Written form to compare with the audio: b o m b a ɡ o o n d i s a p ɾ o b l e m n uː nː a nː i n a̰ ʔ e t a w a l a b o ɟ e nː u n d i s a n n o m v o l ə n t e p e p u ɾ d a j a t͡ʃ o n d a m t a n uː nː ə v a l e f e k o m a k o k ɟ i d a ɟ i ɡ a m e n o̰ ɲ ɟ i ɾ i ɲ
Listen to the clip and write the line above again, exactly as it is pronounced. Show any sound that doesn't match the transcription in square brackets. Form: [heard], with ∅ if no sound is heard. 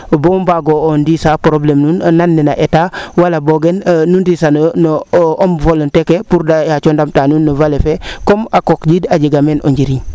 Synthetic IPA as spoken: b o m b a ɡ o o n d i s a p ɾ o b l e m n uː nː a nː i n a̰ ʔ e t a w a l a b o [ɡ] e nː u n d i s a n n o m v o l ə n t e [k] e p u ɾ d a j a t͡ʃ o n d a m t a n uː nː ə v a l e f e k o m a k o k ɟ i d a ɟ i ɡ a m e n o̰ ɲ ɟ i ɾ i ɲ